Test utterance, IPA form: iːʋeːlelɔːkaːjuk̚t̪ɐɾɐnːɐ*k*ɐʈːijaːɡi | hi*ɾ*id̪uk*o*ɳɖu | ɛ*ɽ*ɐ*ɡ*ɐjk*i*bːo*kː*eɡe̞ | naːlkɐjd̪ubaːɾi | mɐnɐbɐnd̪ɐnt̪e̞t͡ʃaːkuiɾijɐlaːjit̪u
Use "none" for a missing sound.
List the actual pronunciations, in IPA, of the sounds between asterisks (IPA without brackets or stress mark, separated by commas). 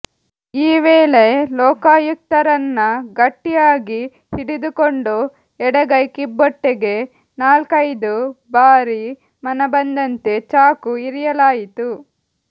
ɡ, ɽ, o, ɽ, ɡ, i, ʈː